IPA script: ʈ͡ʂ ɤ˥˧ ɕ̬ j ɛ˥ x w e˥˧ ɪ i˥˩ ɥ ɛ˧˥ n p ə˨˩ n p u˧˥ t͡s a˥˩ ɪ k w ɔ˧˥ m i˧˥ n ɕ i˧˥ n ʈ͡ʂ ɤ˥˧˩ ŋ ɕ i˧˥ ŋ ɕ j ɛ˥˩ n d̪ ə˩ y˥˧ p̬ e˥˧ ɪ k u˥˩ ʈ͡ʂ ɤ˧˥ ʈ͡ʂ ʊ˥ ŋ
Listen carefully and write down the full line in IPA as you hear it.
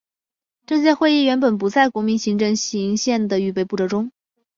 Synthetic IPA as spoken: ʈ͡ʂ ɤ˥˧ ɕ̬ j ɛ˥ x w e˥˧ ɪ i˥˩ ɥ ɛ˧˥ n p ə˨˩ n p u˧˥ t͡s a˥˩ ɪ k w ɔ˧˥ m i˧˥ n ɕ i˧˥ ŋ ʈ͡ʂ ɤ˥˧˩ ŋ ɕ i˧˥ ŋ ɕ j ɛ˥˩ n d̪ ə˩ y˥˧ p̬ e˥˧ ɪ p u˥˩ ʈ͡ʂ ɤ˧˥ ʈ͡ʂ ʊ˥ ŋ